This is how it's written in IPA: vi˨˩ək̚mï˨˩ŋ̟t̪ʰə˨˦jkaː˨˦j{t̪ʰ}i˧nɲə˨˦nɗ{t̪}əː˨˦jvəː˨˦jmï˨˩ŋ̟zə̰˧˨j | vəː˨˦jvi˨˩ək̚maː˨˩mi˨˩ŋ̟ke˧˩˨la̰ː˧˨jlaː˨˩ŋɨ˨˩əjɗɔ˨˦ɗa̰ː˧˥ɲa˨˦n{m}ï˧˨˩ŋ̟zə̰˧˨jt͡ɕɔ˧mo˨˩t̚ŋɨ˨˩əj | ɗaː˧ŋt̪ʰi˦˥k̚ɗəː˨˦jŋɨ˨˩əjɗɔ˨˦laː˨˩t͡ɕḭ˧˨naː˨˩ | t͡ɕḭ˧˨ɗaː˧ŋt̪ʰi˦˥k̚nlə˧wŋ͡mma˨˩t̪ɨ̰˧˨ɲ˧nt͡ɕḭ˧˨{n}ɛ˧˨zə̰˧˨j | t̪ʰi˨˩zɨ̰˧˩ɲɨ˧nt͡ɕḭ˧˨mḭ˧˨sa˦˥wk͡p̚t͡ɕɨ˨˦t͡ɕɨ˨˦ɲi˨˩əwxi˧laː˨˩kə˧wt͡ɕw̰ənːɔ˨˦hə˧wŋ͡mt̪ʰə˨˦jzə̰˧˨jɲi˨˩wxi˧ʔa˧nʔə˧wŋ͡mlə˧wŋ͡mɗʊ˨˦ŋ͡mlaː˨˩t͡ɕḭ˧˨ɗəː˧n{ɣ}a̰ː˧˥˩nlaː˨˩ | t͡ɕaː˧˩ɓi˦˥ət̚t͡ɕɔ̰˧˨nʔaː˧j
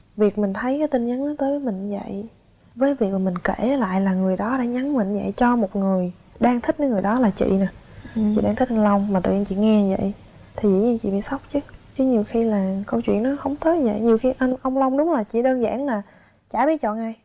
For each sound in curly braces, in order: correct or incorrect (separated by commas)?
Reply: incorrect, correct, correct, incorrect, incorrect